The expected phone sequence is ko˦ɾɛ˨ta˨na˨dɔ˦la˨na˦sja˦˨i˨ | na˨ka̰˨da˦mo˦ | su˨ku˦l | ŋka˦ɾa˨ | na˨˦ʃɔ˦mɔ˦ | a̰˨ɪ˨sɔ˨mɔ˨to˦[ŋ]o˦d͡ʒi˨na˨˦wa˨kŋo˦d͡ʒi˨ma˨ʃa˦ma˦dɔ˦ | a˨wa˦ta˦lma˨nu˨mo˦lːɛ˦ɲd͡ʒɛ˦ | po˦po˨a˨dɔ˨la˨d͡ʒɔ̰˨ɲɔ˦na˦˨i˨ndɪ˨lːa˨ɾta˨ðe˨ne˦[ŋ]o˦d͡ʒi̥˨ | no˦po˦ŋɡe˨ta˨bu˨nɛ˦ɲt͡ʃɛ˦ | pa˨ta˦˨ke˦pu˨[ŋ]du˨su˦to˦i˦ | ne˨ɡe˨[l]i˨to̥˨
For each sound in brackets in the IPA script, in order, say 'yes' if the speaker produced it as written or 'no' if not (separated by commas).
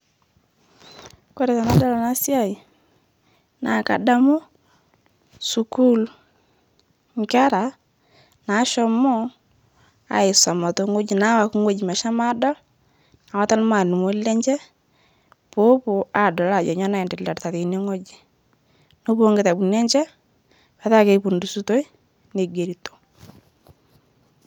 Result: yes, yes, no, no